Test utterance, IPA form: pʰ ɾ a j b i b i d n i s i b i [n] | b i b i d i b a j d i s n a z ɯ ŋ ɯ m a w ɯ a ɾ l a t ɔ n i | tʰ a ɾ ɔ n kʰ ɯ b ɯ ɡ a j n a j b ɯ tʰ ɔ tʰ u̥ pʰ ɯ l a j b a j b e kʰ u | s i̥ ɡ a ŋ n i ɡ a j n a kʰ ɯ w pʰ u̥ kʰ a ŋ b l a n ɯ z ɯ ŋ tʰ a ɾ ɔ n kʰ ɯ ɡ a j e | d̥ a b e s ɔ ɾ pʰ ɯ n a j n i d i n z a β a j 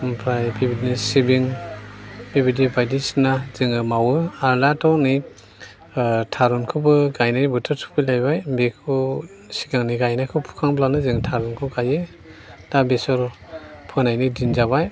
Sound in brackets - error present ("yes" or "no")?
yes